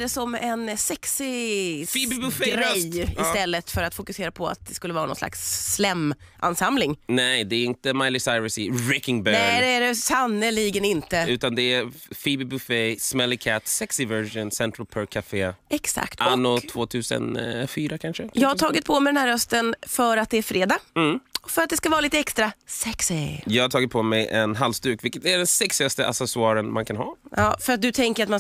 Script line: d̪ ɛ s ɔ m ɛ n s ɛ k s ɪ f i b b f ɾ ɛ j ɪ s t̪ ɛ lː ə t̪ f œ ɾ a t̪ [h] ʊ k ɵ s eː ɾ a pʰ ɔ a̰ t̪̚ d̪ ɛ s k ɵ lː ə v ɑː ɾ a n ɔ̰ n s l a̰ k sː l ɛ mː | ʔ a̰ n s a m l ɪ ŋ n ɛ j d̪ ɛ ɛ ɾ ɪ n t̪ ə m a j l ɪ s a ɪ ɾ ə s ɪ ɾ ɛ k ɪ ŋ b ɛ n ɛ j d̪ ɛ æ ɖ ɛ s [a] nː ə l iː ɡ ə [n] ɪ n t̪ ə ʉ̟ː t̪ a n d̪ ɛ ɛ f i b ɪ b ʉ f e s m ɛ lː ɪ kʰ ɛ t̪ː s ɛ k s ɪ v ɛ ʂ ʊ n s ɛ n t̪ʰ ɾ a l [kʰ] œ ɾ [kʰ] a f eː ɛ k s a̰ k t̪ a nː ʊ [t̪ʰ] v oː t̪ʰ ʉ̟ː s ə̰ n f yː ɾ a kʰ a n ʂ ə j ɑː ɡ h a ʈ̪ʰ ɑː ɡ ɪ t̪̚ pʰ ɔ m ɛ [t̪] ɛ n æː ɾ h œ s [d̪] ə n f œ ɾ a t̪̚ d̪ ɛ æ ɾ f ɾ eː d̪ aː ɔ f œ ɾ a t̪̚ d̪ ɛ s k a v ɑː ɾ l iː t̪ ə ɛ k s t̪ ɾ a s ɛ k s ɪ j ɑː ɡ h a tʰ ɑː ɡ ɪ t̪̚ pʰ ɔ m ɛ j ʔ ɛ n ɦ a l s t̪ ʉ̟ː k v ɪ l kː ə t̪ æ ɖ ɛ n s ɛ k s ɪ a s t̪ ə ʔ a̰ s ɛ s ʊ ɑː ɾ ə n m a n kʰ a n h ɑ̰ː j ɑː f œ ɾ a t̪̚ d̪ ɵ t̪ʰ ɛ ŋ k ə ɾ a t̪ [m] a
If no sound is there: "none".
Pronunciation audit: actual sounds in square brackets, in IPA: f, a, n, pʰ, kʰ, t̪ʰ, d̪, t̪, m

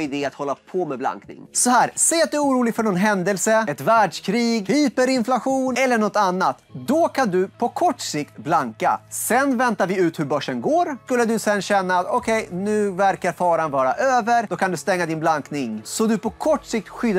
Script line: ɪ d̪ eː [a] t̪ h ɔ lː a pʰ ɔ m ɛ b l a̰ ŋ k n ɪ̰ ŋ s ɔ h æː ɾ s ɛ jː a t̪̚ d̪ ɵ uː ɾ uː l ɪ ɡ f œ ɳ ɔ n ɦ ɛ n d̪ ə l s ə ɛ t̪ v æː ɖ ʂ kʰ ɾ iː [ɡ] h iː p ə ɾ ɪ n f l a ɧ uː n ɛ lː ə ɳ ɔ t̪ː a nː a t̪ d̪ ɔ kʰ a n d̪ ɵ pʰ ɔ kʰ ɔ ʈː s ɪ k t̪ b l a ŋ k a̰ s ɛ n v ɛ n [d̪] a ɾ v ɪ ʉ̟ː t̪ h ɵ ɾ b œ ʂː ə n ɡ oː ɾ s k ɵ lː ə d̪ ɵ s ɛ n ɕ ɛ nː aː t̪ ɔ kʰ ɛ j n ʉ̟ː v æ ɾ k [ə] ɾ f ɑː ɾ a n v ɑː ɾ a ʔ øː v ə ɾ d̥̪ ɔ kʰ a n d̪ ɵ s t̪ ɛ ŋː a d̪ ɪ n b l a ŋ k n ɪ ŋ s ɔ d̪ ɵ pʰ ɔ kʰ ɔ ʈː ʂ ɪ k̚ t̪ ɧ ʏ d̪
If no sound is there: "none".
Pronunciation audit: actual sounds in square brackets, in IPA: a, ɡ, t̪, a

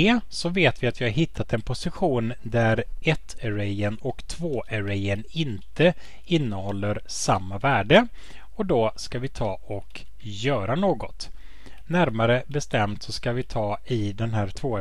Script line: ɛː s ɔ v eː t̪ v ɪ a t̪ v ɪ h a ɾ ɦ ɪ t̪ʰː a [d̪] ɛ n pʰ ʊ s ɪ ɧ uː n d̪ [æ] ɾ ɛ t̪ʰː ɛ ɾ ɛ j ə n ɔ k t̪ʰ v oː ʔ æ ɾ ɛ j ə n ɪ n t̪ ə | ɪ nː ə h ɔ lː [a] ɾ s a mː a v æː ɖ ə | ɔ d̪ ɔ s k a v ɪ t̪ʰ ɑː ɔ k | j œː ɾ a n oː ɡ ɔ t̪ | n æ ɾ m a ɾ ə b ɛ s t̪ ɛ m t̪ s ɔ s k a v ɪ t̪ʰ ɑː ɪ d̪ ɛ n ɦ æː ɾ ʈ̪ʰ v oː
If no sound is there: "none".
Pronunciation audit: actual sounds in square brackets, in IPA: t̪, æ, ə

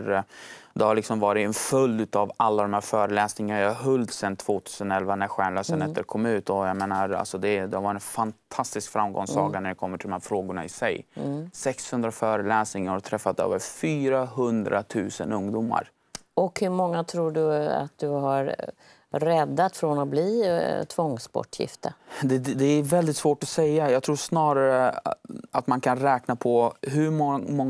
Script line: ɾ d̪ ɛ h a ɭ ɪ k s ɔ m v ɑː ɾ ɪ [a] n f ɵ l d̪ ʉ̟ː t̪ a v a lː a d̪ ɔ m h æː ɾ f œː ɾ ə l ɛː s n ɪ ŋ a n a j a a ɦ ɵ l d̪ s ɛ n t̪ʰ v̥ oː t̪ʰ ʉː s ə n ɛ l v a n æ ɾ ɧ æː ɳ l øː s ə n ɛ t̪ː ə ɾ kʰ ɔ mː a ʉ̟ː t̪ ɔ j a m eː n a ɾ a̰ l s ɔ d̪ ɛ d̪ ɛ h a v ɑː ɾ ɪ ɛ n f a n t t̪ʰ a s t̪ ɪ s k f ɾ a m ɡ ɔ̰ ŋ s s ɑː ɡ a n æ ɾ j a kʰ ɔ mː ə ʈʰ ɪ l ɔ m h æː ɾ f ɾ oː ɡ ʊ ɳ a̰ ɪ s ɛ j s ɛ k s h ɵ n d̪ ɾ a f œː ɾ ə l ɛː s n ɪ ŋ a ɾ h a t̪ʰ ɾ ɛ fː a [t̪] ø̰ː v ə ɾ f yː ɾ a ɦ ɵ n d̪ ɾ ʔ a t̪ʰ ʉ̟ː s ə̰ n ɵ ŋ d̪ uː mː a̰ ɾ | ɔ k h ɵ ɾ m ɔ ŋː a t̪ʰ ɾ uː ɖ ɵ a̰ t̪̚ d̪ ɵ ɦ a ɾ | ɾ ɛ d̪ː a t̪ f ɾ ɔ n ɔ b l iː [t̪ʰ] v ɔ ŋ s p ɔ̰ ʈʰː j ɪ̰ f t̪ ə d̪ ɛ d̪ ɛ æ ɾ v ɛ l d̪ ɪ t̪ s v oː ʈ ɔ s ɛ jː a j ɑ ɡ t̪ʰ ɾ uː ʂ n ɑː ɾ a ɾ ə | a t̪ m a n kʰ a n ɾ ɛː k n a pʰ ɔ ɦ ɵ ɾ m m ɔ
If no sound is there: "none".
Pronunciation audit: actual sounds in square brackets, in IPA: ɛ, t̪, t̪ʰ

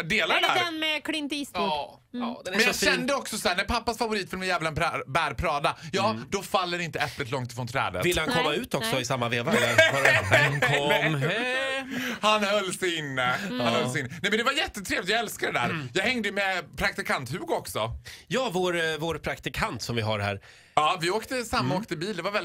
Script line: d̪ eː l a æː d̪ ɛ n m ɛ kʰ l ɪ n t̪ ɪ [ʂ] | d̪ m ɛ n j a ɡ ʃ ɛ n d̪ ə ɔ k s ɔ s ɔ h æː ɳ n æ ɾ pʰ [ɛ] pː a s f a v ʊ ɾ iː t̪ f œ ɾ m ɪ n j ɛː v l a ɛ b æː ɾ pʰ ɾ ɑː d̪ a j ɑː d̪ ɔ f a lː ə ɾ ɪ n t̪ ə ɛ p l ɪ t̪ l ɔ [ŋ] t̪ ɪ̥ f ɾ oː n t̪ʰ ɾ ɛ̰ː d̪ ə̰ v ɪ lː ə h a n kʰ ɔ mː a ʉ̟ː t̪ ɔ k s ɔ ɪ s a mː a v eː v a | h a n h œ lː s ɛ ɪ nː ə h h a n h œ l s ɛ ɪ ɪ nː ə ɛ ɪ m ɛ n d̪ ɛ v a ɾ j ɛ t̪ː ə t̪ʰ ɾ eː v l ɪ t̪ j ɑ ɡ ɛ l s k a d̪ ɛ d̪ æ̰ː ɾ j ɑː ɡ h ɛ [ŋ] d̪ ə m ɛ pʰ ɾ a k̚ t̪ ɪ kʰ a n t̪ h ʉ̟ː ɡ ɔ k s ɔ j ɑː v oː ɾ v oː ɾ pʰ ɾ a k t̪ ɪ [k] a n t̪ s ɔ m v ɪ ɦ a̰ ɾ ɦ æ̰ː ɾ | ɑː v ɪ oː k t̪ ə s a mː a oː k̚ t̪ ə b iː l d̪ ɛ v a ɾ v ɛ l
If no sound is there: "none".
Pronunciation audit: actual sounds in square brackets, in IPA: s, a, ŋ, ŋ, kʰ

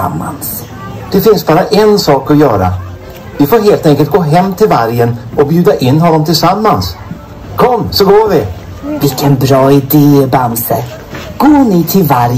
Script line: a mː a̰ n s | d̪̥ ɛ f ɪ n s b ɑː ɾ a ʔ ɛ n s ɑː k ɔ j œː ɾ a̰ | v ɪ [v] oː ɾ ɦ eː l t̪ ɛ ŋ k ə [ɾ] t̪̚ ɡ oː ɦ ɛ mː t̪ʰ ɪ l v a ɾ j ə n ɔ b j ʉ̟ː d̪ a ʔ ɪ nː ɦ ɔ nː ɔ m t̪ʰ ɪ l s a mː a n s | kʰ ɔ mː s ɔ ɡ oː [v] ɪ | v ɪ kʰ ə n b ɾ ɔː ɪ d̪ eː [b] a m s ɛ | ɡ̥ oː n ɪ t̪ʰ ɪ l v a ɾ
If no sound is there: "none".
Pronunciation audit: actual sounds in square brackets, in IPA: f, l, v, b

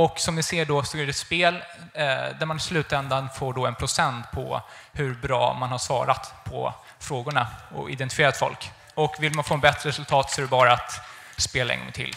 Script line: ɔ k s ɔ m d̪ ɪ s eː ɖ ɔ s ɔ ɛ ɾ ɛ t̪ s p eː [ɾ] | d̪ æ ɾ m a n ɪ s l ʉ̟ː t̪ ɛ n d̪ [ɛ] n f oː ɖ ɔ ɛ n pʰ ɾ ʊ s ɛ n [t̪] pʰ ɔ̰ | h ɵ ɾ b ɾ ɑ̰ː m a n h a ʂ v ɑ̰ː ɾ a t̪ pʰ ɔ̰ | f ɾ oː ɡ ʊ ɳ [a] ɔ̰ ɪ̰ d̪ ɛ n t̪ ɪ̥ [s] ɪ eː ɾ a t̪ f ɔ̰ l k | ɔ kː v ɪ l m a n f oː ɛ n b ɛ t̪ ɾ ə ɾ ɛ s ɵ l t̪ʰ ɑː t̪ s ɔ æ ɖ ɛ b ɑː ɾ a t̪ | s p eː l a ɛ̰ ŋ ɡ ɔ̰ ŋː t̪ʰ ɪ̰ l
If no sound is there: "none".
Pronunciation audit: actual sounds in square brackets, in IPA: l, a, t̪, a, f

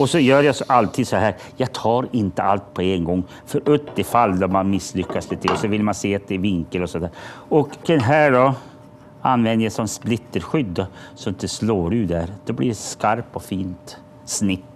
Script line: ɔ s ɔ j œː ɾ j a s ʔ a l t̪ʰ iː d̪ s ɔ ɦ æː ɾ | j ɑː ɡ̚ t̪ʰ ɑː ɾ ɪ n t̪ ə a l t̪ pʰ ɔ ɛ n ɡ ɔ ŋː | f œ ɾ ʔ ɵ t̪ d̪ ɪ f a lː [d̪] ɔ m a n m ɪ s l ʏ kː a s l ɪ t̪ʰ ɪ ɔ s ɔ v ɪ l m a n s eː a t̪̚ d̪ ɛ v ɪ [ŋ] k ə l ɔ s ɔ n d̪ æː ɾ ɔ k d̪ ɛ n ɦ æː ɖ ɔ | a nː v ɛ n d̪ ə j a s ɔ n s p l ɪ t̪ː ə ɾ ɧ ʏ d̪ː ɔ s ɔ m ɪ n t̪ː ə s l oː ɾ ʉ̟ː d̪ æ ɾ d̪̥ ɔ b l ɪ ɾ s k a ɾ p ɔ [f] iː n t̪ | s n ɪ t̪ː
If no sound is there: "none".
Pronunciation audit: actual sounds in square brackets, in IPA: d̪, ŋ, f

